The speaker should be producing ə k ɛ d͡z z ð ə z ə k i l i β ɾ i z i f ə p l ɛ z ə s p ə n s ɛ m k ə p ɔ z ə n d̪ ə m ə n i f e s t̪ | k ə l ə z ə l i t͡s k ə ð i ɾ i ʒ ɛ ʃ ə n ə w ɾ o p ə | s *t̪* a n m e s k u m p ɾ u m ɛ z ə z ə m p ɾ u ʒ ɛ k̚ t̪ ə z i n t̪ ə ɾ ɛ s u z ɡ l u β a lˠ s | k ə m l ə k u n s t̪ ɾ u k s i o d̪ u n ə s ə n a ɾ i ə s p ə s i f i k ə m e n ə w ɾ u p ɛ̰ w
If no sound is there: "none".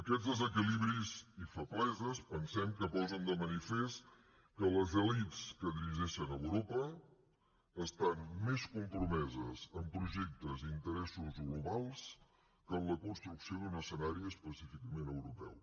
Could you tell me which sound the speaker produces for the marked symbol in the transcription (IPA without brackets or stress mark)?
t̪